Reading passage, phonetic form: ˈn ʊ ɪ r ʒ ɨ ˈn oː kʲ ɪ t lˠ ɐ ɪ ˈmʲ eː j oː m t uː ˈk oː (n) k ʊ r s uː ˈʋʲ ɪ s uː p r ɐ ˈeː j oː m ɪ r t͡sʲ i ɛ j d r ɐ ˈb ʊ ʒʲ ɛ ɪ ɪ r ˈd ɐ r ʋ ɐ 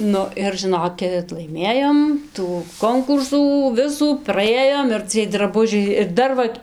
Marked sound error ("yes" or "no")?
yes